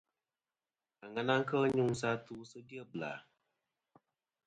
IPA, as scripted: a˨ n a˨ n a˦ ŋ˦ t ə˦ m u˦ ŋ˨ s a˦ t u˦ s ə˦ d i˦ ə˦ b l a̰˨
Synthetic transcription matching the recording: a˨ ŋ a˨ n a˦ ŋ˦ k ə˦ ɲ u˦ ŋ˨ s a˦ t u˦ s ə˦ d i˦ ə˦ b l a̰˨